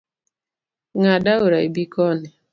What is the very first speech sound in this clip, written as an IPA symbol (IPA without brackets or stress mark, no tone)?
ŋ